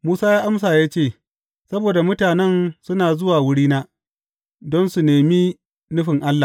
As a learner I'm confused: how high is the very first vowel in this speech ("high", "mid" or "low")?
high